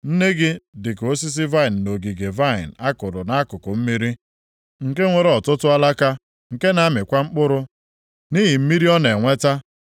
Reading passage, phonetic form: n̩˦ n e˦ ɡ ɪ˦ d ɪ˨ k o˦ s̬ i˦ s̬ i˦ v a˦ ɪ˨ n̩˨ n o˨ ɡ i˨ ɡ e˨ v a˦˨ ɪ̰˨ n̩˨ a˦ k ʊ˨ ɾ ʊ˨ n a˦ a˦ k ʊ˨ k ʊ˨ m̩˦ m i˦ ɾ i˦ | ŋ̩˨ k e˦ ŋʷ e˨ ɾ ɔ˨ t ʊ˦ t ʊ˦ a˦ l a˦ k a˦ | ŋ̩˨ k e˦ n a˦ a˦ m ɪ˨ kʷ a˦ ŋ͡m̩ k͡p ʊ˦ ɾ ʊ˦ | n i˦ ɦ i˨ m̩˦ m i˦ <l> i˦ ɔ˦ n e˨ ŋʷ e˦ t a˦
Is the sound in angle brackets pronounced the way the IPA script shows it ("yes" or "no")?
no